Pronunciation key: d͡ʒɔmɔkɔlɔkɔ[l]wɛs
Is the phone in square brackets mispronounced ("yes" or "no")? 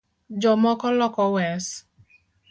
yes